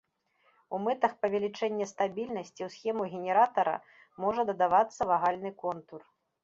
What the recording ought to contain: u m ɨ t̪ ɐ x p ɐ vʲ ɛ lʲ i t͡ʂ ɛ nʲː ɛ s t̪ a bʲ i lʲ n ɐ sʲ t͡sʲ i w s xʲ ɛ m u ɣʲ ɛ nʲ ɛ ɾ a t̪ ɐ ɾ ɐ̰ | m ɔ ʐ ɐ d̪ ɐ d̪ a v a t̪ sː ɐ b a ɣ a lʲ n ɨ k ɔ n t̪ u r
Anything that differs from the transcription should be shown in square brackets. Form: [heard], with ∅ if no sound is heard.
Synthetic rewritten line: u m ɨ t̪ ɐ x p ɐ vʲ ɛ lʲ i t͡ʂ ɛ nʲː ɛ s t̪ a bʲ i lʲ n ɐ sʲ t͡sʲ i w s xʲ ɛ m u ɣʲ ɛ nʲ ɛ ɾ a t̪ ɐ ɾ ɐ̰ | m ɔ ʐ ɐ d̪ ɐ d̪ a v a t̪ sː ɐ [v] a ɣ a lʲ n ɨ k ɔ n t̪ u r